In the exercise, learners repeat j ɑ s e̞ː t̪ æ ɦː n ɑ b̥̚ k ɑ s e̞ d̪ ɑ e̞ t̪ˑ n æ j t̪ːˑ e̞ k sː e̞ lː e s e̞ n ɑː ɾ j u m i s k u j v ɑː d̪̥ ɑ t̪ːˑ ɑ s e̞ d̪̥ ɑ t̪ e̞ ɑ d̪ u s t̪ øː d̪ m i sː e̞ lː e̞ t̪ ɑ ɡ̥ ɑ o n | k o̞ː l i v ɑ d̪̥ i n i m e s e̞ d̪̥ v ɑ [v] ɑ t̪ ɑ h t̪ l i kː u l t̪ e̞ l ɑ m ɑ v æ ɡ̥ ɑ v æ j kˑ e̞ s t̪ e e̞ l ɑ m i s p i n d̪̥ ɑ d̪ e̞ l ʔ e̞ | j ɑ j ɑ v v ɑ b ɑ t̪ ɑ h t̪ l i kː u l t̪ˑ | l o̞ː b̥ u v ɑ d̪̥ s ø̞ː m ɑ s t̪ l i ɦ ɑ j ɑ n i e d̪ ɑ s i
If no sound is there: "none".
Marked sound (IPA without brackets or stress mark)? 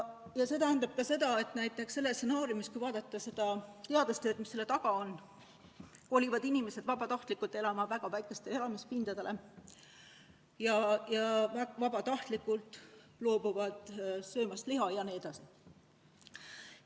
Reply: b